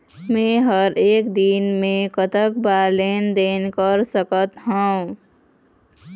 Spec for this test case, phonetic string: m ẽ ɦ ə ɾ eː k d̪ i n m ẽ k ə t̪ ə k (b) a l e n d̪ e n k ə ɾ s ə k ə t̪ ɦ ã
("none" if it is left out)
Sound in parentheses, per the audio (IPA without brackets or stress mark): b